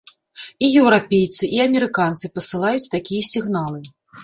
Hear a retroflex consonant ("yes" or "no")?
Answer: no